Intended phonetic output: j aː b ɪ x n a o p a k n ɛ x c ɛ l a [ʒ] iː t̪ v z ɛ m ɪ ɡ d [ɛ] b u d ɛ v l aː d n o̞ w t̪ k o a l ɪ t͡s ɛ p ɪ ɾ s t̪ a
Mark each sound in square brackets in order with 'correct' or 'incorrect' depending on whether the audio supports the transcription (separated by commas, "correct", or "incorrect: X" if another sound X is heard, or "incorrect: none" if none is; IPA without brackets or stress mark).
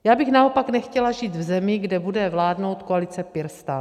correct, correct